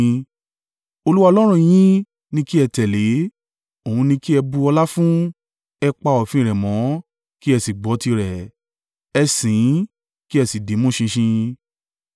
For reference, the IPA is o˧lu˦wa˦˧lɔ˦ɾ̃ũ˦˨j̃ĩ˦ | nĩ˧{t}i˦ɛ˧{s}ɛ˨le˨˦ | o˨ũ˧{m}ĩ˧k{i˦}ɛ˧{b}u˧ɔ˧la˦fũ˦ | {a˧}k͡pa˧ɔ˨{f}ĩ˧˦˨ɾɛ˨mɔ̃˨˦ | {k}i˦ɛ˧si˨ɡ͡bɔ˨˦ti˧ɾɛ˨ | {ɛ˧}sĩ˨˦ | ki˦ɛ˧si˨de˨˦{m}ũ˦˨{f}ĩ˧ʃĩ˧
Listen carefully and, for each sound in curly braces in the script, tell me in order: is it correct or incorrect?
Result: incorrect: k, incorrect: t, incorrect: n, correct, correct, incorrect: ɛ˧, correct, correct, correct, correct, incorrect: ʃ

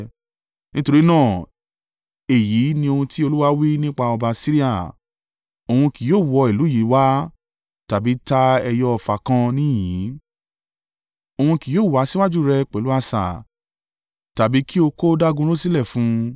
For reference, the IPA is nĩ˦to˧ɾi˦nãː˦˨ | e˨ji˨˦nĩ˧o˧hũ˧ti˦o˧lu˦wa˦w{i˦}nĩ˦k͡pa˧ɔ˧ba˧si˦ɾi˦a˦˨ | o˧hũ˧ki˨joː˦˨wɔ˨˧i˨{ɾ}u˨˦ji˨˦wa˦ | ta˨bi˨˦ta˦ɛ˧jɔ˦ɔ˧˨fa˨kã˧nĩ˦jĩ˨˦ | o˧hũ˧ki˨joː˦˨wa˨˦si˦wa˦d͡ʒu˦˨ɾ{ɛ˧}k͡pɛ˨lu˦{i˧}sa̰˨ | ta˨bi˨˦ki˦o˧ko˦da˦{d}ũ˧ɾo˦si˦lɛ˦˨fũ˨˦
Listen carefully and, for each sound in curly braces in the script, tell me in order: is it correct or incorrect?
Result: correct, incorrect: l, correct, incorrect: a˧, incorrect: ɡ

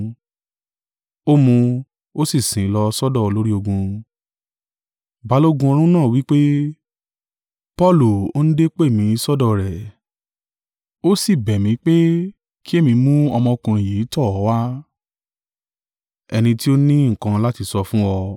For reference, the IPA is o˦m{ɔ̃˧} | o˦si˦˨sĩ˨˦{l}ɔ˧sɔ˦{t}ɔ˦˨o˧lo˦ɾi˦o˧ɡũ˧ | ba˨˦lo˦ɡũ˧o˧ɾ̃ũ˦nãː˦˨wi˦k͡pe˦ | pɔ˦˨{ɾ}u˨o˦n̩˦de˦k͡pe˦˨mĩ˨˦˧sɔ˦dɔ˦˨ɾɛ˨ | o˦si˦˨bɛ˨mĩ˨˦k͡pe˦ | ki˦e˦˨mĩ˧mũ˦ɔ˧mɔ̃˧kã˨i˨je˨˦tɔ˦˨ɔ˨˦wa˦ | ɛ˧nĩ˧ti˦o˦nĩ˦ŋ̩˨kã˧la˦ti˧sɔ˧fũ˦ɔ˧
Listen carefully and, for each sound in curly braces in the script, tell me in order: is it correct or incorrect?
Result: incorrect: ũ˧, correct, incorrect: d, incorrect: l

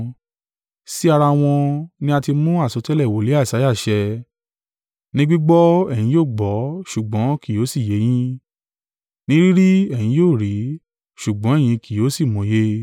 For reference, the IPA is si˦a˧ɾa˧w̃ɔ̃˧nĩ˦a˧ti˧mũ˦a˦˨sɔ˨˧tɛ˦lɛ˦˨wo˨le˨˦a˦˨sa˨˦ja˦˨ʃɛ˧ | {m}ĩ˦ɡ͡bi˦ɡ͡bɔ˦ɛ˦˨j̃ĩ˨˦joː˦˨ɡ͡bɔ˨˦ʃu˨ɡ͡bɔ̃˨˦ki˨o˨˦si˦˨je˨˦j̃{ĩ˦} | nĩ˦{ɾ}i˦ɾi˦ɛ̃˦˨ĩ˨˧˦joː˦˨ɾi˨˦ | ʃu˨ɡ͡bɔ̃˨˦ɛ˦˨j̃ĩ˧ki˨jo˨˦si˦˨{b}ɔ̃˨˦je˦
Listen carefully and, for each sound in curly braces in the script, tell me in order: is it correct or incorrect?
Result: incorrect: n, correct, correct, incorrect: m

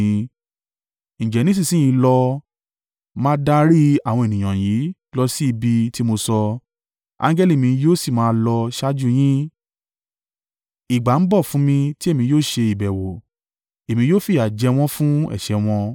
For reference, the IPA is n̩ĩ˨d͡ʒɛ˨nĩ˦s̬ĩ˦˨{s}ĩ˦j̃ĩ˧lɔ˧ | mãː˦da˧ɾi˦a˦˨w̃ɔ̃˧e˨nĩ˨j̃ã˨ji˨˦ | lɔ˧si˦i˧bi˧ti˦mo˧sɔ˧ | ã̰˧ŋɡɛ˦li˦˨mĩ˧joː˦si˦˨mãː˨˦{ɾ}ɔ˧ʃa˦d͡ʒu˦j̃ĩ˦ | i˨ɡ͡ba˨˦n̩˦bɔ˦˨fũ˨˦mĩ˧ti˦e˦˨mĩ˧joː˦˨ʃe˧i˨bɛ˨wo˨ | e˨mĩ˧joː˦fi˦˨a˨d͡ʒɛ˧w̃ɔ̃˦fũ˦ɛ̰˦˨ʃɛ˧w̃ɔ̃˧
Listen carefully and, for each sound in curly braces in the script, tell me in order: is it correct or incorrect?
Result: correct, incorrect: l

